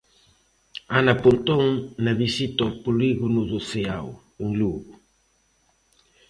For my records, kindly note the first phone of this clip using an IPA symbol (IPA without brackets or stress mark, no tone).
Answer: a